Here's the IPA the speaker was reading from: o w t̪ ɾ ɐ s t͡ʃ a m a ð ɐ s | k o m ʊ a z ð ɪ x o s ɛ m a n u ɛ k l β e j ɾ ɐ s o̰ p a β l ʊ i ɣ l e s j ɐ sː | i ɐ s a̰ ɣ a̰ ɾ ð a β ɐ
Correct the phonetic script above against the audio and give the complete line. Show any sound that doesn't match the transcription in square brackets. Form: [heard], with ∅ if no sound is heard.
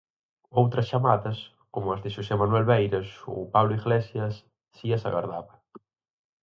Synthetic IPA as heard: o w t̪ ɾ ɐ s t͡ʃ a m a ð ɐ s | k o m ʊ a z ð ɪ [ʃ] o s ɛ m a n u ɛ [∅] l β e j ɾ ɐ s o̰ p a β l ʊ i ɣ l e s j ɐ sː | i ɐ s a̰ ɣ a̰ ɾ ð a β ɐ